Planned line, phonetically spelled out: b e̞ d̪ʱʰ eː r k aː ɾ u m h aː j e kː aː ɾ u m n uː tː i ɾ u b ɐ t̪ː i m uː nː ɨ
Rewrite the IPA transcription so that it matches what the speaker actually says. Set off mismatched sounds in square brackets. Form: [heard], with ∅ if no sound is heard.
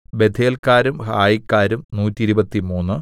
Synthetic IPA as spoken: b e̞ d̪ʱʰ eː [l] k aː ɾ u m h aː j [i] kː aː ɾ u m n uː tː i ɾ u b ɐ t̪ː i m uː nː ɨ